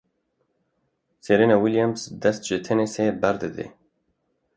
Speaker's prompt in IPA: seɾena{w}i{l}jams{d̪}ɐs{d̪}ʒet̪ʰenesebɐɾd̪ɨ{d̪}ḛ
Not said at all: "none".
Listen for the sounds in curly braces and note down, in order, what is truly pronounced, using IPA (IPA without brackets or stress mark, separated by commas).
w, l, d̪, t̪, d̪